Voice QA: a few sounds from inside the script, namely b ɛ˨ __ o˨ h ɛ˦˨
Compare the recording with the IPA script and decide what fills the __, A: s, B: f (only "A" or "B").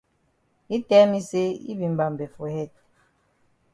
B